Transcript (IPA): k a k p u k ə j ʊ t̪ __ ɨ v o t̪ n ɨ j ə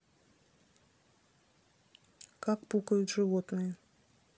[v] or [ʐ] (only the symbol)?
ʐ